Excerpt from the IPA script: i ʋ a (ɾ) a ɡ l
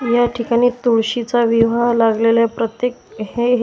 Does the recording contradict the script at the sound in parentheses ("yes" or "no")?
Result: yes